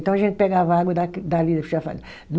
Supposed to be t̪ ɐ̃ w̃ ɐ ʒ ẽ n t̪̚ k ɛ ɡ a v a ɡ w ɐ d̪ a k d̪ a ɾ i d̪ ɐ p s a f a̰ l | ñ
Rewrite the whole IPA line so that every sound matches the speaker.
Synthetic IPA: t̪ ɐ̃ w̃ ɐ ʒ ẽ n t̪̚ p ɛ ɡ a v a ɡ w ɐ d̪ a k d̪ a l i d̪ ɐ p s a f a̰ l | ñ